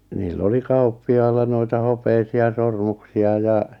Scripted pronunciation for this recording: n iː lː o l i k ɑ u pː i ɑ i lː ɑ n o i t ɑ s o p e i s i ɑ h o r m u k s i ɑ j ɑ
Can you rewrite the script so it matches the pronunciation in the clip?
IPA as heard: n iː lː o l i k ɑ u pː i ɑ i lː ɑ n o i t ɑ h o p e i s i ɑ s o r m u k s i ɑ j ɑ